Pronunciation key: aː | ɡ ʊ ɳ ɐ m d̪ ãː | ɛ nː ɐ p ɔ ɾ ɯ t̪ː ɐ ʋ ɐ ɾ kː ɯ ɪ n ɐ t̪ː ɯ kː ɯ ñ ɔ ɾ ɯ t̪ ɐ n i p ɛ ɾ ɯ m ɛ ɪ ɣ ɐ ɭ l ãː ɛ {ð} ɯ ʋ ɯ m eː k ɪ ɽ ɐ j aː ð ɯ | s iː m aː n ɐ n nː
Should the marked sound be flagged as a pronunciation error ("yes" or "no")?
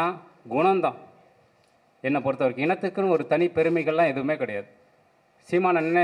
no